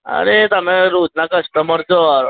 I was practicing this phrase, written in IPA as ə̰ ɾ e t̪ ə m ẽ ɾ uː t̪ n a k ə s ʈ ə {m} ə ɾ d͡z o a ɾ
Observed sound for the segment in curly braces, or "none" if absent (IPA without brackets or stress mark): m